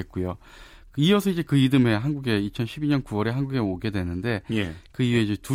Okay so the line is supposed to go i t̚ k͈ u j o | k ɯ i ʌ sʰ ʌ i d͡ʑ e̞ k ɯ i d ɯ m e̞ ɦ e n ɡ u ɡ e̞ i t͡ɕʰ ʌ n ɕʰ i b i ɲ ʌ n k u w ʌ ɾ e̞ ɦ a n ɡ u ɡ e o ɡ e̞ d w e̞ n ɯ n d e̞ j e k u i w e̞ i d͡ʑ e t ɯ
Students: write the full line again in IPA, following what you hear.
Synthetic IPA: e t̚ k͈ u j o | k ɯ i ʌ sʰ ʌ i d͡ʑ e̞ k ɯ i d ɯ m e̞ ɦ a n ɡ u ɡ e̞ i t͡ɕʰ ʌ n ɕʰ i b i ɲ ʌ n k u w ʌ ɾ e̞ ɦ a n ɡ u ɡ e o ɡ e̞ d w e̞ n ɯ n d e̞ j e k ɯ i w e̞ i d͡ʑ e t u